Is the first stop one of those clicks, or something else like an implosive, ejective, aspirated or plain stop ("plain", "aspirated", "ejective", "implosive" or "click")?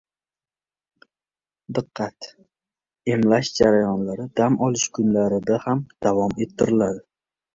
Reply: plain